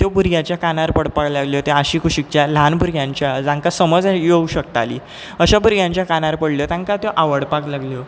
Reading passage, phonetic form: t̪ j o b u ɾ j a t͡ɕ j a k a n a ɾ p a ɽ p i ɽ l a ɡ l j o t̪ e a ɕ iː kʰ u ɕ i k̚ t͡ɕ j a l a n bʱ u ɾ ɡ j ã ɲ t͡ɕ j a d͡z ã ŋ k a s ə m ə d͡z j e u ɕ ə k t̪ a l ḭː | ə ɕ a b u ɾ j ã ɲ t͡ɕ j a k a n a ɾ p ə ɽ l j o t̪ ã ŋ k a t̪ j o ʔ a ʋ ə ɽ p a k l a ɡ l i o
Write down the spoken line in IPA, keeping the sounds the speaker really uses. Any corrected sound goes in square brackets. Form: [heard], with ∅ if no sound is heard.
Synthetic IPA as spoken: t̪ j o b u ɾ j a t͡ɕ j a k a n a ɾ p [ə] ɽ p [a] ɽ l a ɡ l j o t̪ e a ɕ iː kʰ u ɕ i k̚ t͡ɕ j a l a n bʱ u ɾ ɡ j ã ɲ t͡ɕ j a d͡z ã ŋ k a s ə m ə d͡z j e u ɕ ə k t̪ a l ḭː | ə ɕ a b u ɾ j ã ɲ t͡ɕ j a k a n a ɾ p ə ɽ l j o t̪ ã ŋ k a t̪ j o ʔ a ʋ ə ɽ p a k l a ɡ l [j] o